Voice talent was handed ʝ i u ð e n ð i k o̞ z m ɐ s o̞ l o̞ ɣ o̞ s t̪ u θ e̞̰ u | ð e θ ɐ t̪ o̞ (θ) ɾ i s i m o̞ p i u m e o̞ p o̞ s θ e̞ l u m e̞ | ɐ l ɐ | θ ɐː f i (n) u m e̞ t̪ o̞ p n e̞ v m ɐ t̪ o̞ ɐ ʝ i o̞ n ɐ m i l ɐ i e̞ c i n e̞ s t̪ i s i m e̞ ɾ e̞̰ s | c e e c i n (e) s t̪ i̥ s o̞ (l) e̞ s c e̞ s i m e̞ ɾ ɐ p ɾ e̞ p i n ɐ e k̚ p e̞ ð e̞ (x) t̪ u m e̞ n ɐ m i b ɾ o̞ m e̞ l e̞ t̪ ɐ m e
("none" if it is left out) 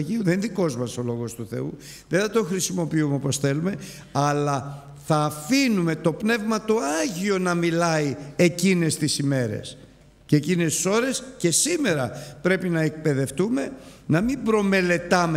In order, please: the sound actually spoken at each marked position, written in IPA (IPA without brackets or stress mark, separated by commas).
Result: x, n, e, ɾ, f